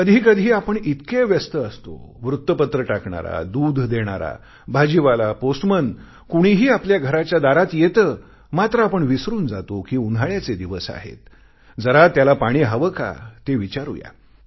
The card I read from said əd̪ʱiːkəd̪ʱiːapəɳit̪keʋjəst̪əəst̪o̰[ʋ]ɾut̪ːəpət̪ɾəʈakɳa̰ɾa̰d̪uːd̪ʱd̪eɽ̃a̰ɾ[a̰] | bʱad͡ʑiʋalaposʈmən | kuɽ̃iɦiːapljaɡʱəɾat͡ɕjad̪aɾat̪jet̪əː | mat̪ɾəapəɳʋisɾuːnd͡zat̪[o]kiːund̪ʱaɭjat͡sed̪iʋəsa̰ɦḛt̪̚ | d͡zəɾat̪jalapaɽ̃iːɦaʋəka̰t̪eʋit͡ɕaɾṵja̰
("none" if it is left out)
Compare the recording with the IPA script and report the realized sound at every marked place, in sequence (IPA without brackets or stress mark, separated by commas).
ʋ, a̰, o